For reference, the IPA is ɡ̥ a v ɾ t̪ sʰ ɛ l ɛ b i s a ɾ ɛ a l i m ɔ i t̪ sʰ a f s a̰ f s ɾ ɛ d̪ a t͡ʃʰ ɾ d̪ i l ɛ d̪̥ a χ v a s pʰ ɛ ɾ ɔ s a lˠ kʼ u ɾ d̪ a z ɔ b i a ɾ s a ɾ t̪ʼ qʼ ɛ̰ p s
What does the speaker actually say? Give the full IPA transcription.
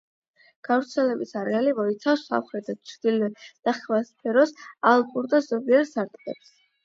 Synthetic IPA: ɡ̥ a v ɾ t̪ sʰ ɛ l ɛ b i s a ɾ ɛ a l i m ɔ i t̪ sʰ a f s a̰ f χ ɾ ɛ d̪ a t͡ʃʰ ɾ d̪ i l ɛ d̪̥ a χ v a s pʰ ɛ ɾ ɔ s a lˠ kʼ u ɾ d̪ a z ɔ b i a ɾ s a ɾ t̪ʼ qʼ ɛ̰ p s